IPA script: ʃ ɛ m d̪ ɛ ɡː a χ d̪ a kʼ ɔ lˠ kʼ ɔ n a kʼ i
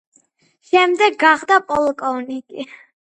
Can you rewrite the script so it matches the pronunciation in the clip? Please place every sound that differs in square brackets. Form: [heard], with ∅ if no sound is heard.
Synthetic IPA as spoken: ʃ ɛ m d̪ ɛ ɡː a χ d̪ a [pʼ] ɔ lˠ kʼ ɔ n [i] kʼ i